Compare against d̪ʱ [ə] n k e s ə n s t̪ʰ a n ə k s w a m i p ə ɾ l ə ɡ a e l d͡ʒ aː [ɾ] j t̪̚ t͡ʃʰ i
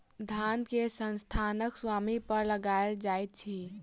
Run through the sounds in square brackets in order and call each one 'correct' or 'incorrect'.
incorrect: a, incorrect: none

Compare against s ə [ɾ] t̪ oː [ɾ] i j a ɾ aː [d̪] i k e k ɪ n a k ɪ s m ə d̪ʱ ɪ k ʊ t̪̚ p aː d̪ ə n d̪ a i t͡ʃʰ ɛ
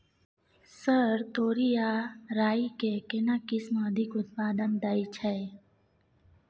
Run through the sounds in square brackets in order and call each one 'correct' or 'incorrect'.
correct, correct, incorrect: none

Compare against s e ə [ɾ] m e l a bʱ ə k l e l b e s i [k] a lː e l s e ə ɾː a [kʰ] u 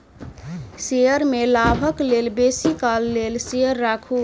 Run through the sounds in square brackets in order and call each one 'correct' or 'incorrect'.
correct, correct, correct

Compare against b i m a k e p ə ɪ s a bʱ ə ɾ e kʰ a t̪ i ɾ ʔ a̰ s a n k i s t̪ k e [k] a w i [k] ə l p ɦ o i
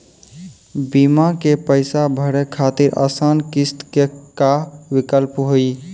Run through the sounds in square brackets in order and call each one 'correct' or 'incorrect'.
correct, correct

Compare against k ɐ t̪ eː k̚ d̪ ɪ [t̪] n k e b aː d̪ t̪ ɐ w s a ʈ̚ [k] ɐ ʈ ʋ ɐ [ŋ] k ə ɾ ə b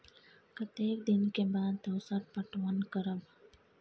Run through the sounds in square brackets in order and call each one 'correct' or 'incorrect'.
incorrect: none, incorrect: p, incorrect: n

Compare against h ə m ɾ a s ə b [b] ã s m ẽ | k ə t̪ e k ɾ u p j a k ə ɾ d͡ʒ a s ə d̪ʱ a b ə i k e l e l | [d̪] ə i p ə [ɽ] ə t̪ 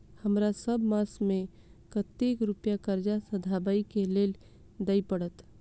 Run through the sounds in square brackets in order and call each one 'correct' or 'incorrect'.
incorrect: m, correct, correct

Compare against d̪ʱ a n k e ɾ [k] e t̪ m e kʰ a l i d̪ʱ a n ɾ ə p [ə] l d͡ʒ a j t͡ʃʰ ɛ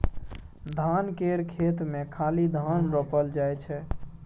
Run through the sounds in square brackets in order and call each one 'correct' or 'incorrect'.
incorrect: kʰ, correct

